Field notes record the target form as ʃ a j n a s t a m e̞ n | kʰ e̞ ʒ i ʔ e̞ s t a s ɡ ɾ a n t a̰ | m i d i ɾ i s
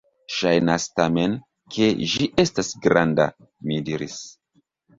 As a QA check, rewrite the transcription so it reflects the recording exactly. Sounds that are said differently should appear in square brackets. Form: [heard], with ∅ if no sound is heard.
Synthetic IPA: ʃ a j n a s t a m e̞ n | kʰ e̞ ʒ i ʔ e̞ s t a s ɡ ɾ a n [d] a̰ | m i d i ɾ i s